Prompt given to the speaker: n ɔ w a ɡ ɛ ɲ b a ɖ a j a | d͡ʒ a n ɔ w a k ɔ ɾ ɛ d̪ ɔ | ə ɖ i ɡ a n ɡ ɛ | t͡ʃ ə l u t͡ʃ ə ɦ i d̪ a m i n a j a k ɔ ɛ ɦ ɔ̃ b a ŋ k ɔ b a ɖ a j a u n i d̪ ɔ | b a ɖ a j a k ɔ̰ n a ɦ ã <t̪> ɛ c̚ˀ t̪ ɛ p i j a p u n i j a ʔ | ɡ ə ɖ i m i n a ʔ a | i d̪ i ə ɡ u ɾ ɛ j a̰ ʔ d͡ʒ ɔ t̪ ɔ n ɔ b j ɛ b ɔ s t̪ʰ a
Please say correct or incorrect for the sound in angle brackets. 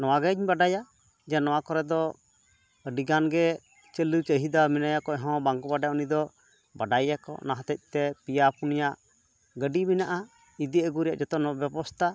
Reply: correct